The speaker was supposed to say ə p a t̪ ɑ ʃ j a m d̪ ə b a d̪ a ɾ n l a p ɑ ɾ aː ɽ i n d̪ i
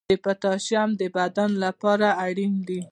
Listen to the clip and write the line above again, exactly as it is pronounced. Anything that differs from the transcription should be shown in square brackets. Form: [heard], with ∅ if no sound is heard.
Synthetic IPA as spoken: ə p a t̪ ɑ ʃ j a m d̪ ə b a d̪ a [∅] n l a p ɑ ɾ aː ɽ i n d̪ i